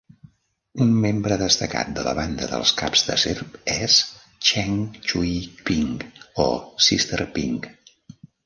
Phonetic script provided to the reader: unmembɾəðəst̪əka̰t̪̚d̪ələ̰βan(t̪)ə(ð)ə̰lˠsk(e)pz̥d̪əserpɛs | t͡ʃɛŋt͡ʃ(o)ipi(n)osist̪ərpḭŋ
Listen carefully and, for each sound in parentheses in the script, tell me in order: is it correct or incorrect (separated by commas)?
incorrect, correct, incorrect, incorrect, incorrect